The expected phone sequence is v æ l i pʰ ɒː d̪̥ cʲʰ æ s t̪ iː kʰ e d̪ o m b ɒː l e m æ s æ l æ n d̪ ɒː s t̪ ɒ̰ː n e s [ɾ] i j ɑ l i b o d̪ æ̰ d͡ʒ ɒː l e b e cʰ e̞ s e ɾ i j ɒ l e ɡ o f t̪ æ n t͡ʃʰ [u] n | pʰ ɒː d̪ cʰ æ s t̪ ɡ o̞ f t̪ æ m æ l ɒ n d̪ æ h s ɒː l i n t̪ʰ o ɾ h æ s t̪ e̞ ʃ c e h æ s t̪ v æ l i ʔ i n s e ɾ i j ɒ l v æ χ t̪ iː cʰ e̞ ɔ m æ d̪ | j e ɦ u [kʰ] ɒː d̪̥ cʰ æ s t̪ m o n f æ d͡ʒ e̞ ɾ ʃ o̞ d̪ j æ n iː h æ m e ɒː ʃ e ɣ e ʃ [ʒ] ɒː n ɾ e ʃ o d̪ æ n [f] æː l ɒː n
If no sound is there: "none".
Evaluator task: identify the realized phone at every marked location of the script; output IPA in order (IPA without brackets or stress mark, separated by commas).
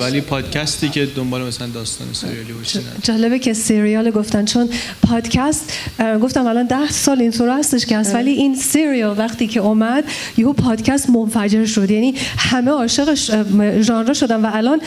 ɾ, o, pʰ, ʒ, v